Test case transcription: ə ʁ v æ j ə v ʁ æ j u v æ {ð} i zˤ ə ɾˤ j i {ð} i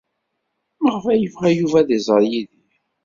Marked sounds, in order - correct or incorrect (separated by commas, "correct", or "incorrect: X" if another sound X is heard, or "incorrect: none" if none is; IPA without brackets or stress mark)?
correct, correct